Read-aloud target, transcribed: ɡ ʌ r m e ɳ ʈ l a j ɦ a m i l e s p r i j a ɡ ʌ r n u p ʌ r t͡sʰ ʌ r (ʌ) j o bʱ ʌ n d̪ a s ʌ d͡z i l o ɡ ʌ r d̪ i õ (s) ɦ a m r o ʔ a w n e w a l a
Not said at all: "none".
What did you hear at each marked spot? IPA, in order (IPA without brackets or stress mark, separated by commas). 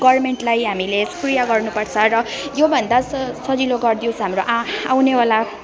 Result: ʌ, s